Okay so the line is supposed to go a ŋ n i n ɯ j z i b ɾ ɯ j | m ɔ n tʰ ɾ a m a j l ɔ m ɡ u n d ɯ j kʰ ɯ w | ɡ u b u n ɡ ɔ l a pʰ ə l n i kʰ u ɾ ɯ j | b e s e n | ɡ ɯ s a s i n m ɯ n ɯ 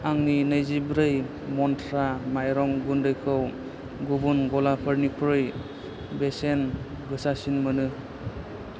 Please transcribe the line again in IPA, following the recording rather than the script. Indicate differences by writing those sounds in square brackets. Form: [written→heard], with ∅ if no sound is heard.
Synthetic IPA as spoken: a ŋ n i n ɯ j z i b ɾ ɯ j | m ɔ n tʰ ɾ a m a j [l→ɾ] ɔ [m→ŋ] ɡ u n d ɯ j kʰ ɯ w | ɡ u b u n ɡ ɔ l a pʰ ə [l→ɾ] n i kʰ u ɾ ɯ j | b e s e n | ɡ ɯ s a s i n m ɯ n ɯ